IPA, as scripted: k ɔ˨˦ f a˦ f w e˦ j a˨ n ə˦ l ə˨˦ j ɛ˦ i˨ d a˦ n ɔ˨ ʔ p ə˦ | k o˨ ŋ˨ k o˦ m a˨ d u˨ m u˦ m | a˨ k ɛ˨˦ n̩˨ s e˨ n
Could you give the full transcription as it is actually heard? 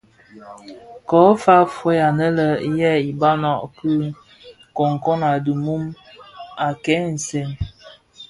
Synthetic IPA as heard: k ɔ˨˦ f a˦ f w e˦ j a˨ n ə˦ l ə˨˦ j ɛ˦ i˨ b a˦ n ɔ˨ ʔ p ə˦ | k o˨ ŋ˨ k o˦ n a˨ d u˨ m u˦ m | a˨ k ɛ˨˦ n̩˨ s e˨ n